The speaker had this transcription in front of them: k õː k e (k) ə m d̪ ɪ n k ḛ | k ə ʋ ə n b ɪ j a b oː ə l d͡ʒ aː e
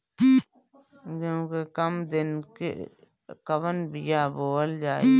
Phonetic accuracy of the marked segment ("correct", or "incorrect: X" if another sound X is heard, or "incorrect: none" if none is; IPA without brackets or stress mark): correct